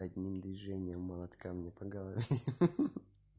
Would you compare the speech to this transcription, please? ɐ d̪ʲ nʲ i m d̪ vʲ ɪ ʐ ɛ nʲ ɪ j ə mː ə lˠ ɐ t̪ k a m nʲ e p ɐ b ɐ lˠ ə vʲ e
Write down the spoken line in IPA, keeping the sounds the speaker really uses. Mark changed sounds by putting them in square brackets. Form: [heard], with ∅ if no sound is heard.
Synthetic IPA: ɐ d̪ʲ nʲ i m d̪ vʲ ɪ ʐ ɛ nʲ ɪ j ə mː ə lˠ ɐ t̪ k a m nʲ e p ɐ [ɡ] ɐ lˠ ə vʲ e